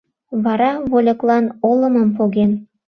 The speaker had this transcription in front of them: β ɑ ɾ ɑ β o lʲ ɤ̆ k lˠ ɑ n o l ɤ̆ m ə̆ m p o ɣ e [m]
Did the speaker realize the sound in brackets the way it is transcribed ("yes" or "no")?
no